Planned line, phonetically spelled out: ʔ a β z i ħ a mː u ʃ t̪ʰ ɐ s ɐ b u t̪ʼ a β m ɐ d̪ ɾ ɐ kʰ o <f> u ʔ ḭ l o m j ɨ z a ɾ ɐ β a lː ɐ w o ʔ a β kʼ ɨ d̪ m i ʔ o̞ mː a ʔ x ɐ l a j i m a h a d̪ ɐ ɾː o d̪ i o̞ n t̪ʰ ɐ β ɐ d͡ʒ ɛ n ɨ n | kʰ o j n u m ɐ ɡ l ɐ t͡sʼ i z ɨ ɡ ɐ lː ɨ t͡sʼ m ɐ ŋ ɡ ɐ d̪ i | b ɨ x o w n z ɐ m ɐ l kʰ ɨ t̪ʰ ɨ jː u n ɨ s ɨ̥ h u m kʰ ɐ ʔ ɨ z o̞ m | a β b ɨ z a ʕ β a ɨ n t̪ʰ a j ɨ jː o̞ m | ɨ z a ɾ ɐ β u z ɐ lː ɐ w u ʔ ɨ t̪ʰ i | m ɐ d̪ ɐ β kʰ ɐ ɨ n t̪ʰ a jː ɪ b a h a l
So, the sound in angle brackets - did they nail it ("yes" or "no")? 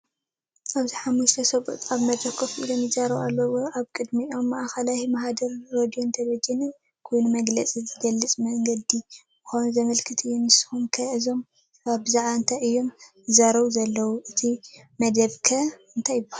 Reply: yes